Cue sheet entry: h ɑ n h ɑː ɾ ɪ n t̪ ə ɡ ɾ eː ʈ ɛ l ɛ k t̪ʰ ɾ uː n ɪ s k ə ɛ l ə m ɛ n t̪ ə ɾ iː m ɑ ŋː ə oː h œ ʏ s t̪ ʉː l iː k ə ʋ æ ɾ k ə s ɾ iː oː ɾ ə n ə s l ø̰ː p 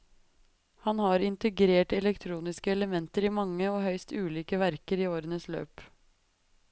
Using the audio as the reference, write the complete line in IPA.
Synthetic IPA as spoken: h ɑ n h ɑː ɾ ɪ n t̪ ə ɡ ɾ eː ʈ ɛ l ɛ k t̪ʰ ɾ uː n ɪ s k ə ɛ l ə m ɛ n t̪ ə ɾ iː m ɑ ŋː ə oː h œ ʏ s t̪ ʉː l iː k ə ʋ æ ɾ k ə ɾ iː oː ɾ ə n ə s l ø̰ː p

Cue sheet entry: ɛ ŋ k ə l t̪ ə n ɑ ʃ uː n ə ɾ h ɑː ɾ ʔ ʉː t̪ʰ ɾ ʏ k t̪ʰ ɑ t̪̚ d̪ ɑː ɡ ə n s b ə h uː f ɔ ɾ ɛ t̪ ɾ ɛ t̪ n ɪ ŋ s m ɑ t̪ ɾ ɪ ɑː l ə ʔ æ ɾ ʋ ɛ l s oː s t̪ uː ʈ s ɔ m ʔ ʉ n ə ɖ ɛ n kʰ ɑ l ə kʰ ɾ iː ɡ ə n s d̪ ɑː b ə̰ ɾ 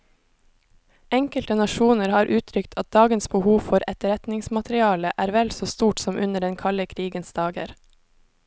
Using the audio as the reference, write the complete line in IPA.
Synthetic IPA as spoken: ɛ ŋ k ə l t̪ ə n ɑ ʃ uː n ə ɾ h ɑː ɾ ʔ ʉː t̪ʰ ɾ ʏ k t̪ʰ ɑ t̪̚ d̪ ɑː ɡ ə n s b ə h uː f ɔ ɾ ɛ t̪ ɾ ɛ t̪ n ɪ ŋ s m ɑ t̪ ɾ ɪ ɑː l ə ʔ æː ɾ ʋ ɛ l s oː s t̪ uː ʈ s ɔ m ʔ ʉ n ə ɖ ɛ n kʰ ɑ l ə kʰ ɾ iː ɡ ə n s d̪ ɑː ɡ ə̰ ɾ

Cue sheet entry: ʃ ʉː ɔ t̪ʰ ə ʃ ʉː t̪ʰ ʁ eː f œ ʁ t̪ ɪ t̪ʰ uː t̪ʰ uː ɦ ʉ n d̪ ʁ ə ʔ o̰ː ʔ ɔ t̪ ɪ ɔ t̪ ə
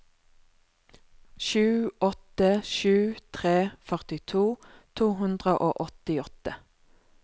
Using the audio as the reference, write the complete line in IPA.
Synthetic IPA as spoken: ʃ ʉː ɔ t̪ ə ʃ ʉː t̪ʰ ʁ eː f œ ʁ t̪ ɪ t̪ʰ uː t̪ʰ uː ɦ ʉ n d̪ ʁ ə ʔ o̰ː ʔ ɔ t̪ ɪ ɔ t̪ ə

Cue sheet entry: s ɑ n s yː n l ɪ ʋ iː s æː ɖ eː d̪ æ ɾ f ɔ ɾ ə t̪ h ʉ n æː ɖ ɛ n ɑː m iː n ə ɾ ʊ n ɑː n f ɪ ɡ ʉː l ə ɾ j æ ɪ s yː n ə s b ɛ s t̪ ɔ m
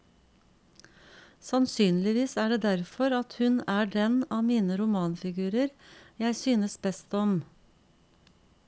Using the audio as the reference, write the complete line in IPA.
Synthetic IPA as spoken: s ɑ n s yː n l ɪ ʋ iː s æː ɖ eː d̪ æ ɾ f ɔ ɾ ɑ t̪ h ʉ n æː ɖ ɛ n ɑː m iː n ə ɾ ʊ m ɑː n f ɪ ɡ ʉː ɾ ə ɾ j æ ɪ s yː n ə s b ɛ s t̪ ɔ m

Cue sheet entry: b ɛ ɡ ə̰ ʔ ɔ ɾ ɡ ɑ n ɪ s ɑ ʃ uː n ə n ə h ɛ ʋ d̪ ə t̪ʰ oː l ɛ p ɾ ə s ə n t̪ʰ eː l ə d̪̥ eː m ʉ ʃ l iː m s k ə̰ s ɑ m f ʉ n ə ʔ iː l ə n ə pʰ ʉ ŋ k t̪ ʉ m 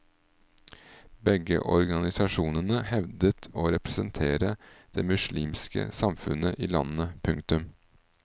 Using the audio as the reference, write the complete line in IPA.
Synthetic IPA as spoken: b ɛ ɡ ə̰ ʔ ɔ ɾ ɡ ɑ n ɪ s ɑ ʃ uː n ə n ə h ɛ ʋ d̪ ə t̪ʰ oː ɾ ɛ p ɾ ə s ə n t̪ʰ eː ɾ ə d̪̥ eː m ʉ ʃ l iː m s k ə̰ s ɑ m f ʉ n ə ʔ iː l ɑ n ə pʰ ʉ ŋ k t̪ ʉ m

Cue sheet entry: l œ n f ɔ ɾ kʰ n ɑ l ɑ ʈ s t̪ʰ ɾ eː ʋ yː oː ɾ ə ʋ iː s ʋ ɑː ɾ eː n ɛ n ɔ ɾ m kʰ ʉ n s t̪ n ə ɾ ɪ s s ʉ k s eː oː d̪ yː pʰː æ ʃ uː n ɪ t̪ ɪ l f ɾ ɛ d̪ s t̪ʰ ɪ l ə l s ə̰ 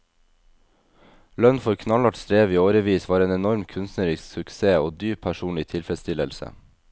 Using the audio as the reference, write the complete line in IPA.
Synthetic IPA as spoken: l œ n f ɔ ɾ kʰ n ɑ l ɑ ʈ s t̪ ɾ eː ʋ iː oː ɾ ə ʋ iː s ʋ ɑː ɾ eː n ɛ n ɔ ɾ m kʰ ʉ n s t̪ n ə ɾ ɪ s s ʉ k s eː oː d̪ yː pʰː æ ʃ uː n ɪ t̪ʰ ɪ l f ɾ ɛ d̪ s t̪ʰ ɪ l ə l s ə̰

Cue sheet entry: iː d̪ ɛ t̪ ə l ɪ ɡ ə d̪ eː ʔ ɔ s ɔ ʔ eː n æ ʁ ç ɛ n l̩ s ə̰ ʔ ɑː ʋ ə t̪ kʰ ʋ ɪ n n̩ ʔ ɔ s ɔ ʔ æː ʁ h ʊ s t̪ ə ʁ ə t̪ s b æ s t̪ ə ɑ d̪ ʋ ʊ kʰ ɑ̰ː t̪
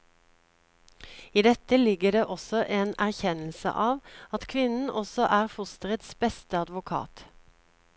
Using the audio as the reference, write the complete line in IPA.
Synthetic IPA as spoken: iː d̪ ɛ t̪ ə l ɪ ɡ ə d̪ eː ʔ ɔ s ɔ ʔ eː n æ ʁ ç ɛ n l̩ s ə̰ ʔ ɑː ʋ ɑ t̪ kʰ ʋ ɪ n n̩ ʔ ɔ s ɔ ʔ æː ʁ f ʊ s t̪ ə ʁ ə t̪ s b ɛ s t̪ ə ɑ d̪ ʋ ʊ kʰ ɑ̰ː t̪

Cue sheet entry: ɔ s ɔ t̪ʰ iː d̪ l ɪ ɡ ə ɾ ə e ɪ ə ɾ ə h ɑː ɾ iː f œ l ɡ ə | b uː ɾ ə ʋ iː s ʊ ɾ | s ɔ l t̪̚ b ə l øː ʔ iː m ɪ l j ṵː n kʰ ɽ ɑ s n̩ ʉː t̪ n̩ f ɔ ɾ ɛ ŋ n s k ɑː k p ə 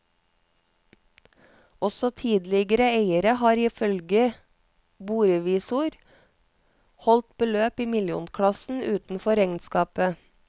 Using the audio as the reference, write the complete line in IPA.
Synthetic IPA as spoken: ɔ s ɔ t̪ʰ iː d̪ l ɪ ɡ ə ɾ ə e ɪ ə ɾ ə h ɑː ɾ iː f œ l ɡ ə | b uː ɾ ə ʋ iː s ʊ ɾ | h ɔ l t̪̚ b ə l øː p iː m ɪ l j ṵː n kʰ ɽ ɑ s n̩ ʉː t̪ n̩ f ɔ ɾ ɛ ŋ n s k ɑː p ə

